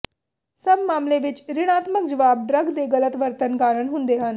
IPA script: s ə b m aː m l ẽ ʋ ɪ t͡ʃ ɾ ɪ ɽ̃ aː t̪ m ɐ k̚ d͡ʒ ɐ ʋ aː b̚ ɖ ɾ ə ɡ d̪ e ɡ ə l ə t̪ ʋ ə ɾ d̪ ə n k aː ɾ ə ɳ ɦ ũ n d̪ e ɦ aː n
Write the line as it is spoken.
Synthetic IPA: s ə b m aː m l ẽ ʋ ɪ t͡ʃ ɾ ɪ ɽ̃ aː t̪ m ə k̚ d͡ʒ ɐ ʋ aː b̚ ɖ ɾ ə ɡ d̪ e ɡ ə l ə t̪ ʋ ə ɾ t̪ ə n k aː ɾ ə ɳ ɦ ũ n d̪ e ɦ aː n